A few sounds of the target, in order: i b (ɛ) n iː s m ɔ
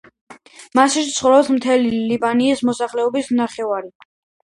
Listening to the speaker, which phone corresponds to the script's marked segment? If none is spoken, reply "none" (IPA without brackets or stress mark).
a